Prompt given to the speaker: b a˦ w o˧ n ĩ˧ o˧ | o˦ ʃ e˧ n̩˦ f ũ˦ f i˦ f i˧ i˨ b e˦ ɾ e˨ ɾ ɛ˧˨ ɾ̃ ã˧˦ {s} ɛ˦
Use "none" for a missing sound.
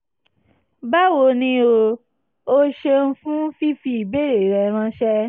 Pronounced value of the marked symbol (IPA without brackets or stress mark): ʃ